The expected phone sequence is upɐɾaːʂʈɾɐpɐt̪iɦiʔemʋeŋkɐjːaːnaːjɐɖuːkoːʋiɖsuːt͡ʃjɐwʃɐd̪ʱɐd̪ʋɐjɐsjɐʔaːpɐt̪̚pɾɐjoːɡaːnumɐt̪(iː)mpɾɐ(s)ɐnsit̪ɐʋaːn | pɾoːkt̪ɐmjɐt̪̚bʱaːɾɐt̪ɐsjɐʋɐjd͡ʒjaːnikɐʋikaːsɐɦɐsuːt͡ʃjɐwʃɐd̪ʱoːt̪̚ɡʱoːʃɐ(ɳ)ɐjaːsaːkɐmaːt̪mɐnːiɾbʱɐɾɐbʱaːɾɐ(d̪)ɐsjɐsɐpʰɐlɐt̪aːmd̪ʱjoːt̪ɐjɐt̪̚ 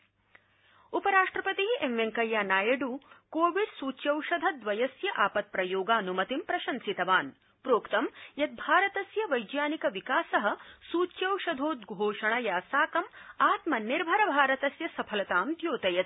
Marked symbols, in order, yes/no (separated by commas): no, no, yes, no